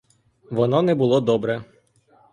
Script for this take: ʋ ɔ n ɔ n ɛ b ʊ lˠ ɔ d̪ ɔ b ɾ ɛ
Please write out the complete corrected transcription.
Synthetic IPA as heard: ʋ ɔ n ɔ n ɛ b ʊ lˠ ɔ d̪ ɔ b ɾ ɛ